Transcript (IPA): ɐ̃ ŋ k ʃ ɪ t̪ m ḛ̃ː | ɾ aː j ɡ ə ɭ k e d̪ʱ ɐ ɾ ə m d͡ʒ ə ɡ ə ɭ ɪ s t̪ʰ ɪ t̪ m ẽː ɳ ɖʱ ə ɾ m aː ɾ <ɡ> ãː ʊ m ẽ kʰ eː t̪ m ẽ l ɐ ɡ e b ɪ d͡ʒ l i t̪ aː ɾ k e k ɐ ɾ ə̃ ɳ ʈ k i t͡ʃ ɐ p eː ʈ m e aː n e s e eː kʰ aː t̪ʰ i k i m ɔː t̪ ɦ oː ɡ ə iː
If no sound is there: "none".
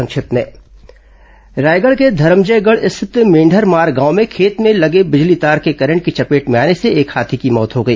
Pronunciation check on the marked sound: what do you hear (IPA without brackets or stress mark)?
ɡ